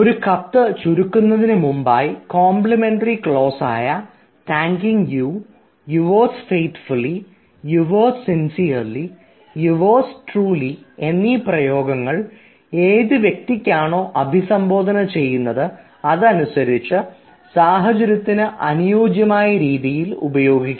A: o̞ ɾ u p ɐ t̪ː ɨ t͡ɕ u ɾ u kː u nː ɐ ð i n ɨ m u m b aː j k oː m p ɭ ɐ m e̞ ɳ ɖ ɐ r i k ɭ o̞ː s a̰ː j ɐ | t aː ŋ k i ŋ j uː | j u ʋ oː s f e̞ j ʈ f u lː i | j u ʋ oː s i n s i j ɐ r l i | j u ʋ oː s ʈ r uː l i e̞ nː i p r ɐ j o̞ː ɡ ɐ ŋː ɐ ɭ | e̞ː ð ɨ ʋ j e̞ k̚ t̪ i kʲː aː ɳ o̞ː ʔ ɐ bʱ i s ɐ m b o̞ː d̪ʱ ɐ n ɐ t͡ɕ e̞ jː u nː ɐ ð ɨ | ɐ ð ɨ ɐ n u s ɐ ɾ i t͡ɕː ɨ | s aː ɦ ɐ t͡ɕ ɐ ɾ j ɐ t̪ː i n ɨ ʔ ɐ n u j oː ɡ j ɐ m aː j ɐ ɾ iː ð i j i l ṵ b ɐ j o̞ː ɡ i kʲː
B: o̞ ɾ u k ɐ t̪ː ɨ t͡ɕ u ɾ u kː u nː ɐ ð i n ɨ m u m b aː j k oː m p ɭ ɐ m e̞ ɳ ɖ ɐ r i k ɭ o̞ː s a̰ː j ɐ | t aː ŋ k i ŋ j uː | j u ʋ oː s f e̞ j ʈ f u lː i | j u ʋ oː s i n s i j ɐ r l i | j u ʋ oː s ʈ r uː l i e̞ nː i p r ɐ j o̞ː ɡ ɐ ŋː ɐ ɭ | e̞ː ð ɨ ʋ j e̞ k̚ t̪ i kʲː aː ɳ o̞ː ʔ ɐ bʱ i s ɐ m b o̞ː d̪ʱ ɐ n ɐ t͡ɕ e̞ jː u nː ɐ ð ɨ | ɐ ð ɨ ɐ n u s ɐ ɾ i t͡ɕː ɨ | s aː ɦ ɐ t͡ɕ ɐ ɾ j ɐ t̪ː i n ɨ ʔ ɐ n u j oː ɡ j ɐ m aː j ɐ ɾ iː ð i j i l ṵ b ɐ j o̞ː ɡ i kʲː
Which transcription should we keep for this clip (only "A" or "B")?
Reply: B